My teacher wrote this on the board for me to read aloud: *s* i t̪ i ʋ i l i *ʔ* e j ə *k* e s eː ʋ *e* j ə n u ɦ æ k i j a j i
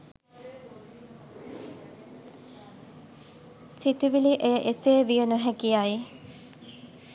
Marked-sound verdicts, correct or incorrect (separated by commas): correct, correct, incorrect, incorrect